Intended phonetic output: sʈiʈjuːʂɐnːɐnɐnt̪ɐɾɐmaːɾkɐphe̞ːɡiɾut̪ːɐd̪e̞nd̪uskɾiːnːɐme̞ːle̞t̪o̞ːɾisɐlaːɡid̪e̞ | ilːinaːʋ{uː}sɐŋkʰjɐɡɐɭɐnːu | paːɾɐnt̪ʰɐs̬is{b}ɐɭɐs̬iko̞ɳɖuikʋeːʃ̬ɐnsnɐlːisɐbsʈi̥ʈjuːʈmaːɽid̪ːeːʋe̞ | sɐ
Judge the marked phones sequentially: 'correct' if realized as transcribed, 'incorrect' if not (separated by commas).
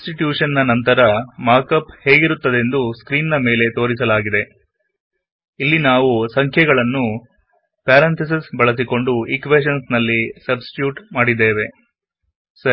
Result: incorrect, correct